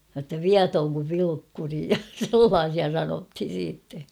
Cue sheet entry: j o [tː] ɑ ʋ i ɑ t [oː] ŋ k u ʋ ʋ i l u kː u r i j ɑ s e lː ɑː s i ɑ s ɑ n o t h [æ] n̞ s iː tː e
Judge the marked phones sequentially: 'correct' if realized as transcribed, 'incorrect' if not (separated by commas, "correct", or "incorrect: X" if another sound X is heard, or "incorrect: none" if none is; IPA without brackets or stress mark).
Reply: correct, correct, incorrect: i